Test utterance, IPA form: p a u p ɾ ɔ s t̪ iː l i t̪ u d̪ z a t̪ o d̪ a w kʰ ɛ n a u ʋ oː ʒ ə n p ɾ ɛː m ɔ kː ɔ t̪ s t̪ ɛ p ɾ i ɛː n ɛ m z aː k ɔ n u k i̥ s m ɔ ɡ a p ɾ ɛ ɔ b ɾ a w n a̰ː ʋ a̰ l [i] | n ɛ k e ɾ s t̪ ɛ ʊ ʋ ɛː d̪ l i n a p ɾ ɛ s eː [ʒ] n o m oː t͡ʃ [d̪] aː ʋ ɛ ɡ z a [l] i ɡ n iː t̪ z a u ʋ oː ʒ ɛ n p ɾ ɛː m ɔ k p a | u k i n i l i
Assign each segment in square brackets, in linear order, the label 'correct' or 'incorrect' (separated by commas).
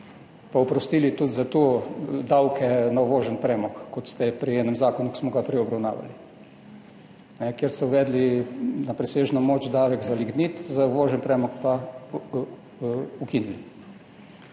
correct, correct, correct, correct